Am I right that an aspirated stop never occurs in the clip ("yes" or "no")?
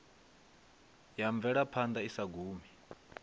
no